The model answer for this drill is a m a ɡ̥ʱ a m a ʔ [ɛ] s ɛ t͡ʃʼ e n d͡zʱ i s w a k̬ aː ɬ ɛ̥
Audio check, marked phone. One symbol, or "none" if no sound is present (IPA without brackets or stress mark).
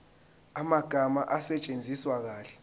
a